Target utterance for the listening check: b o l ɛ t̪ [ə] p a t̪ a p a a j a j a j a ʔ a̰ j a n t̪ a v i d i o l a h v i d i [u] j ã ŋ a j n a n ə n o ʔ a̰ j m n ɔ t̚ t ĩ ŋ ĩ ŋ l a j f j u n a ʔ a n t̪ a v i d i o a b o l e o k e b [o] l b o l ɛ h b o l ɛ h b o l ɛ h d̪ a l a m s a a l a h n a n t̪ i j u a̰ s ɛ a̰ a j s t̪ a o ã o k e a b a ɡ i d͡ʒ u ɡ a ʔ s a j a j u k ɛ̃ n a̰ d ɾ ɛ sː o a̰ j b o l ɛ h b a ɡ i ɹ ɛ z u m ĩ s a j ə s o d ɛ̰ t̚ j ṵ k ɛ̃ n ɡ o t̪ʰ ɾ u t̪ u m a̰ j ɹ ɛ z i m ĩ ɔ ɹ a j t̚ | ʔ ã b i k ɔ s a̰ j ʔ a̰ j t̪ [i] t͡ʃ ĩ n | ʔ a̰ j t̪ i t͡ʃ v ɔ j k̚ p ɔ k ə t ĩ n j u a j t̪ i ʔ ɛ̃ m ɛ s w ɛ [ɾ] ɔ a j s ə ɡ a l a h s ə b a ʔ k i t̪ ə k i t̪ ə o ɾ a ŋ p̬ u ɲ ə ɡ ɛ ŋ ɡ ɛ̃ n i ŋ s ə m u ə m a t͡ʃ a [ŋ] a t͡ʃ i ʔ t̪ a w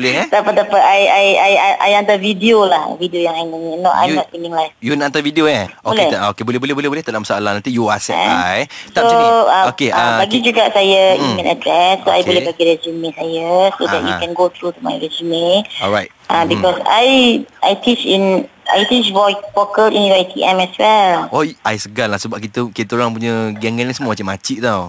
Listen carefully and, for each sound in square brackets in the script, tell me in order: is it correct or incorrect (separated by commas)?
incorrect, incorrect, correct, correct, incorrect, incorrect